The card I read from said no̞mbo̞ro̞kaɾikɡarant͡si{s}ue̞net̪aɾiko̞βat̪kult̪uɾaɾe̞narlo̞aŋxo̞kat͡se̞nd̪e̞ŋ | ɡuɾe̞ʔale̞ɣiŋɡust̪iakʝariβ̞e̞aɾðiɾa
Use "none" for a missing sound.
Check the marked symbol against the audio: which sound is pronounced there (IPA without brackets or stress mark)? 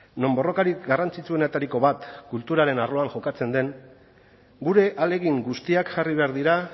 t͡s